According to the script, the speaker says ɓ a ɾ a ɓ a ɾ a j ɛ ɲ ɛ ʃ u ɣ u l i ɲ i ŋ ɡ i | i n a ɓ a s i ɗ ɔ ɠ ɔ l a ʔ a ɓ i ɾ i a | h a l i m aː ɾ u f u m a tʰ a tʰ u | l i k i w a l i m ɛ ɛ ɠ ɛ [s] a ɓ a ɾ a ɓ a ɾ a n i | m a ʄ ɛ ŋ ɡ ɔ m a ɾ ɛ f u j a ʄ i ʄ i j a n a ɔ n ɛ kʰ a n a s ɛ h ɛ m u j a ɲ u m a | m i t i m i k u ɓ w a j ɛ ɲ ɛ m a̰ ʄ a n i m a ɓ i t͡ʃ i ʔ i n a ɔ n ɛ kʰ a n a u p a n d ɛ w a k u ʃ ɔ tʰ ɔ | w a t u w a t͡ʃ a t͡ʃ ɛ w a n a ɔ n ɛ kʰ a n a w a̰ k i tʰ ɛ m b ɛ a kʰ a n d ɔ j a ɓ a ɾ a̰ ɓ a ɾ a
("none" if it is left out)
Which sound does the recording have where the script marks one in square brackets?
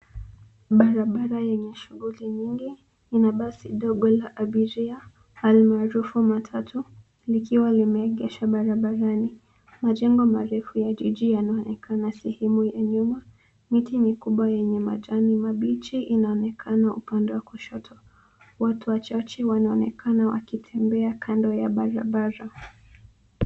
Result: ʃ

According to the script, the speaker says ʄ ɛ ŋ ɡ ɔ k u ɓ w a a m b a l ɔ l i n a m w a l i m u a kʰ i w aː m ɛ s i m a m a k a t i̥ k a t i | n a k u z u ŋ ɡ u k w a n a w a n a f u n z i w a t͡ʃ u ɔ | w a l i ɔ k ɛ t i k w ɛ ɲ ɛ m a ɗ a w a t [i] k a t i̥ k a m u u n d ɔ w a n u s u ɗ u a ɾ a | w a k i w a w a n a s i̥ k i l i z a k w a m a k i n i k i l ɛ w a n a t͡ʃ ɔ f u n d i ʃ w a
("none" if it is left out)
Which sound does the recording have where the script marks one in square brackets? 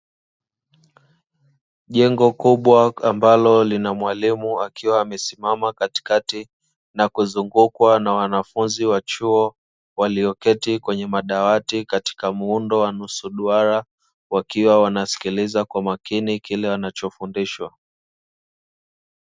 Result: i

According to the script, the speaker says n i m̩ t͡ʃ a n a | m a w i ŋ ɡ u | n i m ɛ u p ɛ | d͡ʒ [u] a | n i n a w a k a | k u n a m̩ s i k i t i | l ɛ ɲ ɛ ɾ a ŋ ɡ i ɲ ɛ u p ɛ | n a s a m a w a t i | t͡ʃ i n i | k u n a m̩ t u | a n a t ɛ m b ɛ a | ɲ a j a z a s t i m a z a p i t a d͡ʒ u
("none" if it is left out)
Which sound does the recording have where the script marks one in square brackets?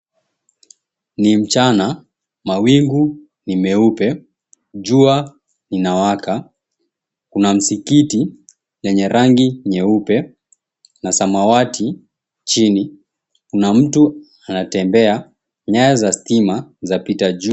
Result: u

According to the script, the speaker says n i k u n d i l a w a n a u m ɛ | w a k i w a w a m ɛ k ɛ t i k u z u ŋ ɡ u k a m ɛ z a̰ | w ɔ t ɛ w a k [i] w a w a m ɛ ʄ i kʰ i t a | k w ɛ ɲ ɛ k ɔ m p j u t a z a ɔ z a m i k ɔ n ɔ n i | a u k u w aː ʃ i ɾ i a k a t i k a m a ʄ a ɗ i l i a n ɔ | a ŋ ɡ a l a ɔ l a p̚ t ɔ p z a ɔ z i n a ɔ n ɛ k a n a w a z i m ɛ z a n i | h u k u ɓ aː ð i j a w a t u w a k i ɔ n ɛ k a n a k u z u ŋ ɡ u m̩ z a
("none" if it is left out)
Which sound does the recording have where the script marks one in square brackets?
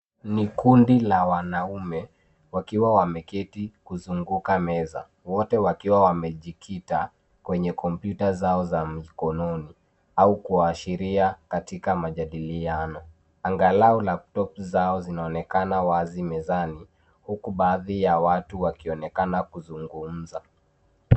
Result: i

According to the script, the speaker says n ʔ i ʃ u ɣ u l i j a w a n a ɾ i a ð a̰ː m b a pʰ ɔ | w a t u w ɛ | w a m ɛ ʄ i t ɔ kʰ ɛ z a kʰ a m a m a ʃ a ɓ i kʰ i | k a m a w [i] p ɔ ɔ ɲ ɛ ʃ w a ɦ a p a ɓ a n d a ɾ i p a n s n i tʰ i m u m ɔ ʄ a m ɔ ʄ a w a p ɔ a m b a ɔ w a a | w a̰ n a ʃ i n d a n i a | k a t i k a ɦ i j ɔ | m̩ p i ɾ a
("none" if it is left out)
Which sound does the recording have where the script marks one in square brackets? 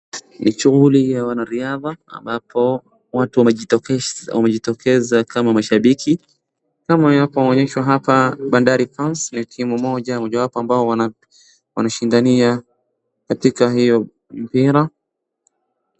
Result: a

